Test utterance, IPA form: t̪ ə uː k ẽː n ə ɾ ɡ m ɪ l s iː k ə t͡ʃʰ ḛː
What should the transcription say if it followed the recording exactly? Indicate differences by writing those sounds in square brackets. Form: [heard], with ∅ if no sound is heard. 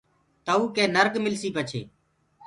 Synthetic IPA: t̪ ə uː k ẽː n ə ɾ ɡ m ɪ l s iː [p] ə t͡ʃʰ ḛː